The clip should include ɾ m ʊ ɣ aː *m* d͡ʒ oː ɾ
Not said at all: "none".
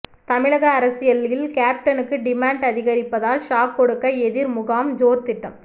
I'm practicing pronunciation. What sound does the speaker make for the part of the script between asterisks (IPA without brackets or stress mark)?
m